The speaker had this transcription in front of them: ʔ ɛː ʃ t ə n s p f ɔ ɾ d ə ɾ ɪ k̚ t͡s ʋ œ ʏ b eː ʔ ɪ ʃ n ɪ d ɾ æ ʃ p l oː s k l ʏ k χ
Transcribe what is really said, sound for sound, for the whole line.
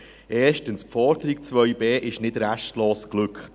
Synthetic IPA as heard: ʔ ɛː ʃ t ə n s p f ɔ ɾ d ə ɾ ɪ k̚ t͡s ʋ œ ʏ b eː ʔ ɪ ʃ n ɪ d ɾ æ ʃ t l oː s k l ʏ k χ